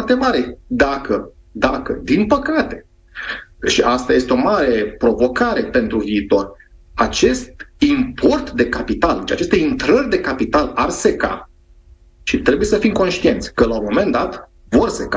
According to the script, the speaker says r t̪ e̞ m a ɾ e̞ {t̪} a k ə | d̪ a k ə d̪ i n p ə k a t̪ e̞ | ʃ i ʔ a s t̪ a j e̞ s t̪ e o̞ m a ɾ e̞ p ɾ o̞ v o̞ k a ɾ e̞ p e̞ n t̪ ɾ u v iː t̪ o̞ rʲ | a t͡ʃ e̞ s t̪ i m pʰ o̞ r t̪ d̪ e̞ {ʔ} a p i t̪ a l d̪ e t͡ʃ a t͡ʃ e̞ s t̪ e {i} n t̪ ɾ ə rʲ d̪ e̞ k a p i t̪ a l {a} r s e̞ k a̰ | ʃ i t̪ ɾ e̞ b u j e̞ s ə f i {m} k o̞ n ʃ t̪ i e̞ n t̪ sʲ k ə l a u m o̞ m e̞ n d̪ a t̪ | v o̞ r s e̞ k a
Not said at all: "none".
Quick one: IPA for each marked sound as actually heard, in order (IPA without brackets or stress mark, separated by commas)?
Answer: d̪, k, i, a, m